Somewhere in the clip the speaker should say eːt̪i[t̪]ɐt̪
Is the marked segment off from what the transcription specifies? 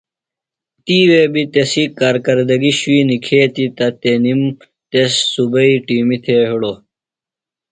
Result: no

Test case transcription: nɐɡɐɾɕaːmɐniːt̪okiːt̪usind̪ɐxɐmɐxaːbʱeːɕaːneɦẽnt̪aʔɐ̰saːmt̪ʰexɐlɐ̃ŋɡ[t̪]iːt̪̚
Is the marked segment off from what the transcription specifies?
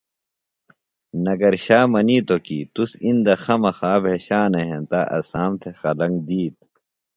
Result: yes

